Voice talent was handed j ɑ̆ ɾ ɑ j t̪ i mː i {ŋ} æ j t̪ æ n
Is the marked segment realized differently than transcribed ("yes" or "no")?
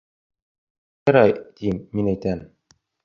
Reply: yes